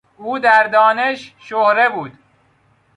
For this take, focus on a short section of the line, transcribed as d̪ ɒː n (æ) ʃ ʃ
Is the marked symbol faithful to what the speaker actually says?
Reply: no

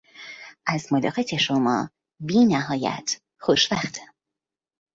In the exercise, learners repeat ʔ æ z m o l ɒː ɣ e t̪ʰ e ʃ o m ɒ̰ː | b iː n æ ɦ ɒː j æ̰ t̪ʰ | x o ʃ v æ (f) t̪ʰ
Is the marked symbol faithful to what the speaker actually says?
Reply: no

